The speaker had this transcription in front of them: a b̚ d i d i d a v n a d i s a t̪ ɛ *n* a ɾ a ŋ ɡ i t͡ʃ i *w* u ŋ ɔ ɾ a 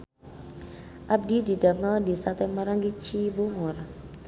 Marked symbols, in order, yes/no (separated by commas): no, no